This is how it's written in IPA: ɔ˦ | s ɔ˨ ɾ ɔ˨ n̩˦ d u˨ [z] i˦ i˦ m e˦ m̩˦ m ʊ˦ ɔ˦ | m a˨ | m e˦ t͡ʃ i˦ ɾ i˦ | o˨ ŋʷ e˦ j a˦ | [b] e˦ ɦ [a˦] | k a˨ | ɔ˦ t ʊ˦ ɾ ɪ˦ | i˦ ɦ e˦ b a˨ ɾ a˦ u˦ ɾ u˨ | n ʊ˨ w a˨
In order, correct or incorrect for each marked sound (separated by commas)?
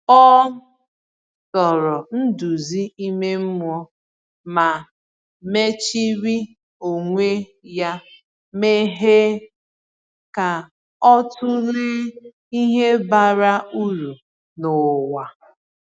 correct, incorrect, incorrect